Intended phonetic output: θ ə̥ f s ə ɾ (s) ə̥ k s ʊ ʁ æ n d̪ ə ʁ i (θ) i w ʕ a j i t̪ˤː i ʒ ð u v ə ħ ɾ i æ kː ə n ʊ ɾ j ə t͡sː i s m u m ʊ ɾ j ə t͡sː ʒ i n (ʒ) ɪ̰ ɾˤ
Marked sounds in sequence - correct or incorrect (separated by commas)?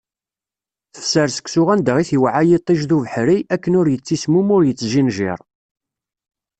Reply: correct, correct, correct